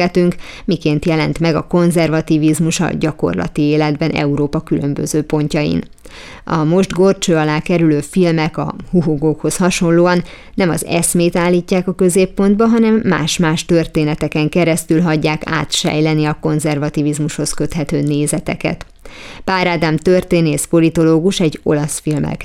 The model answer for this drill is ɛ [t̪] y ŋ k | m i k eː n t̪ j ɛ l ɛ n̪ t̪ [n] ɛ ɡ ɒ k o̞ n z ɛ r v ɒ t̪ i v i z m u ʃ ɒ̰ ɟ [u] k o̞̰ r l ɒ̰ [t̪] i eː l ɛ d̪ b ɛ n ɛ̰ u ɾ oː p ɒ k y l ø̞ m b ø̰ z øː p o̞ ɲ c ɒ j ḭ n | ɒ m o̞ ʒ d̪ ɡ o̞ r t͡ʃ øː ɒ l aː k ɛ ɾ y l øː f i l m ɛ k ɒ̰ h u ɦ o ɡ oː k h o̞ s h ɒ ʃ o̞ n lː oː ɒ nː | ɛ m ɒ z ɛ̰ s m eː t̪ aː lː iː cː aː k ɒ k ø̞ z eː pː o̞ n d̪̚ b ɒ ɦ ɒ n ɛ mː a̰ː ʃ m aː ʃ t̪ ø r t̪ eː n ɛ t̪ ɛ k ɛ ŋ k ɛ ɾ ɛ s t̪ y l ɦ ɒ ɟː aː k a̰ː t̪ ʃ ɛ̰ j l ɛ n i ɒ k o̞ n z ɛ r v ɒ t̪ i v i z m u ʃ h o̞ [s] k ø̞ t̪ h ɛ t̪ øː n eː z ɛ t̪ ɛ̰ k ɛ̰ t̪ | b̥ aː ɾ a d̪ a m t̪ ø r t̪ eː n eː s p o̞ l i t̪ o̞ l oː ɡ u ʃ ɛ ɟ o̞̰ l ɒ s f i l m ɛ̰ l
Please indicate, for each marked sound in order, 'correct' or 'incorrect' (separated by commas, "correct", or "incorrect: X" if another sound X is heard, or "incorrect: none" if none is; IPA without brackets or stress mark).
correct, incorrect: m, incorrect: ɒ, correct, correct